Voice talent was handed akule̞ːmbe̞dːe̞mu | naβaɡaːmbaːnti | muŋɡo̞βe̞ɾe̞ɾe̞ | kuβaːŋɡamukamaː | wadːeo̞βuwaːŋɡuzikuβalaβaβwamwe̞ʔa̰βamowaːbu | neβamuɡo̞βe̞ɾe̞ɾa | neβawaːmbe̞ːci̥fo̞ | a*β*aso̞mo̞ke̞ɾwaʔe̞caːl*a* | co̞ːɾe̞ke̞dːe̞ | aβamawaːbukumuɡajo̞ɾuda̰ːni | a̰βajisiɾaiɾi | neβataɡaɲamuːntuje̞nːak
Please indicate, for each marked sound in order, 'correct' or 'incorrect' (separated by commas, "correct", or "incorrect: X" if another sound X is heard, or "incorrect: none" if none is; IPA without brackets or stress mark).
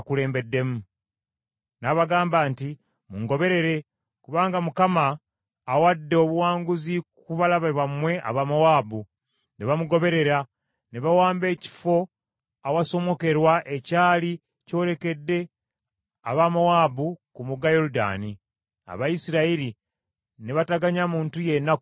incorrect: w, incorrect: i